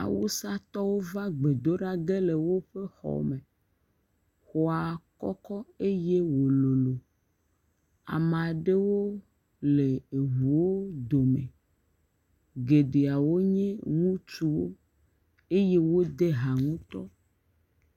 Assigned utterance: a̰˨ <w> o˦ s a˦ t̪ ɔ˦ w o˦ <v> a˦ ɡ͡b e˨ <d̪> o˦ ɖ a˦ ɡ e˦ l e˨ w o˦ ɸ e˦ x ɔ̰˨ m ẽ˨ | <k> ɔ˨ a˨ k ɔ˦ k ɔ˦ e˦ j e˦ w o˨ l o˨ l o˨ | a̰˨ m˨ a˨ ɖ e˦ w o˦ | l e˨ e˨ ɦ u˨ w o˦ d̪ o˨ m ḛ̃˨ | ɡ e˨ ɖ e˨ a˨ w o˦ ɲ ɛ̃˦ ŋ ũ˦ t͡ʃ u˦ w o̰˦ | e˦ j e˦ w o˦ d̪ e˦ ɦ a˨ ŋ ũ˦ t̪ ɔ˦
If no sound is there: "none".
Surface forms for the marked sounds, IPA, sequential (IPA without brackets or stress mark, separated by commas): w, v, d̪, x